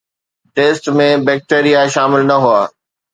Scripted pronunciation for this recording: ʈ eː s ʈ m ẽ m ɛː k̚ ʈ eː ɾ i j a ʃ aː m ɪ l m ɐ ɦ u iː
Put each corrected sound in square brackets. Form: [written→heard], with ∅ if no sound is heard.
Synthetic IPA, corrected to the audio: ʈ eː s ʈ m ẽ [m→b] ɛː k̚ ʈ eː ɾ i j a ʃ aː m ɪ l [m→n] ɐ ɦ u [iː→aː]